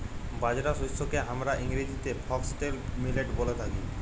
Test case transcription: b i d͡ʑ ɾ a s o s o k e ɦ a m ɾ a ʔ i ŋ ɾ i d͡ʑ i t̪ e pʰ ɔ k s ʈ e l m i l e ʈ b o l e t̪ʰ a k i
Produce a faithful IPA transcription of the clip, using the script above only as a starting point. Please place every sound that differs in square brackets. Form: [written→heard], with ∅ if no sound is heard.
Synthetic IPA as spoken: b [i→a] d͡ʑ ɾ a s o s o k e ɦ a m ɾ a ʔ i ŋ ɾ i d͡ʑ i t̪ e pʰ ɔ k s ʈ e l m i l e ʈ b o l e t̪ʰ a k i